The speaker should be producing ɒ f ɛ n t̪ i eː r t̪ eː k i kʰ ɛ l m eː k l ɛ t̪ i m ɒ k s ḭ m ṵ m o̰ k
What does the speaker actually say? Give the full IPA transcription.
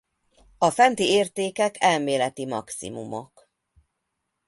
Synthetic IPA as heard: ɒ f ɛ n t̪ i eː r t̪ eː k ɛ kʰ ɛ l m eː l ɛ t̪ i m ɒ k s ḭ m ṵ m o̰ k